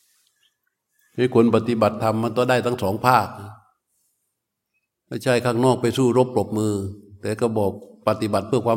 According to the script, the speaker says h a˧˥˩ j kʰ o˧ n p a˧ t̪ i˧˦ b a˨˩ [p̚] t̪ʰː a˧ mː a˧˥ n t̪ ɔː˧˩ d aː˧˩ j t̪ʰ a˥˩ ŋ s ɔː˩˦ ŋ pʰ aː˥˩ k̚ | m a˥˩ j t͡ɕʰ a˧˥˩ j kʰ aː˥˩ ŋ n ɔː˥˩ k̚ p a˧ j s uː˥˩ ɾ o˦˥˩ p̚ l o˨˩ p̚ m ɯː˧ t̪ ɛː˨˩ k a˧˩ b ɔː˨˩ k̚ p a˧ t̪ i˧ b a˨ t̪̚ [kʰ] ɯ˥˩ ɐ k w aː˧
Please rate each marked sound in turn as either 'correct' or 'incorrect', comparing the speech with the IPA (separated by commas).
incorrect, incorrect